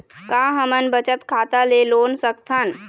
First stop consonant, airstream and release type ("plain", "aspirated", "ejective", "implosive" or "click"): plain